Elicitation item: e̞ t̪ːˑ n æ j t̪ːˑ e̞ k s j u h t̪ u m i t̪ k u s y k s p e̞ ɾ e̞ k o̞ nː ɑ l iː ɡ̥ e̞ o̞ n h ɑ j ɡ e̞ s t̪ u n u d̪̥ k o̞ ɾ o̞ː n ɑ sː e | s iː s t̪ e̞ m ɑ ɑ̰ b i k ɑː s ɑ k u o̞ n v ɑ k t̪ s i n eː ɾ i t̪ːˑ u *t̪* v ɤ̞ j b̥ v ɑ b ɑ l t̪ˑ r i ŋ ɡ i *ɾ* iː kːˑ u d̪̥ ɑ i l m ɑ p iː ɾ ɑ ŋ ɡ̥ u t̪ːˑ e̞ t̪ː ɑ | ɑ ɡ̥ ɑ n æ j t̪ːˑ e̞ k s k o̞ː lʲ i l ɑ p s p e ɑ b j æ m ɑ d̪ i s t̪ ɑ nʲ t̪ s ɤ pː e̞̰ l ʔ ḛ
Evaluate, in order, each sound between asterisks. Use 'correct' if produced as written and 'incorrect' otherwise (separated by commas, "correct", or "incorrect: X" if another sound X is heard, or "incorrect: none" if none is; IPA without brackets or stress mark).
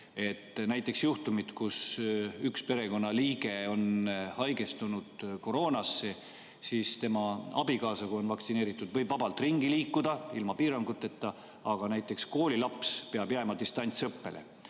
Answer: incorrect: d̪, incorrect: l